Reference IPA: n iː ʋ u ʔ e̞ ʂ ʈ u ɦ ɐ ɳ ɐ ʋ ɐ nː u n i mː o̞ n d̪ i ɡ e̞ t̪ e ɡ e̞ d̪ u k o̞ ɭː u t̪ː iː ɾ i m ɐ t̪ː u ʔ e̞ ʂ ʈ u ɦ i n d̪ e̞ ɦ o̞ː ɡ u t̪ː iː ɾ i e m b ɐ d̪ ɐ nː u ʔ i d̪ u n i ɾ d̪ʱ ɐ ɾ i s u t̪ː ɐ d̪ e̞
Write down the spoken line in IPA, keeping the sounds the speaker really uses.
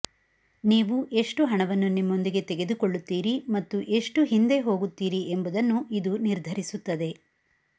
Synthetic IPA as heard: n iː ʋ u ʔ e̞ ʂ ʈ u ɦ ɐ ɳ ɐ ʋ ɐ nː u n i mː o̞ n d̪ i ɡ e̞ t̪ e ɡ e̞ d̪ u k o̞ ɭː u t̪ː iː ɾ i m ɐ t̪ː u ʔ e̞ ʂ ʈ u ɦ i n d̪ e̞ ɦ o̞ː ɡ u t̪ː iː ɾ i e m b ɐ d̪ ɐ nː u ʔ i d̪ u n i ɾ d̪ʱ ɐ ɾ i s u t̪ː ɐ d̪ e̞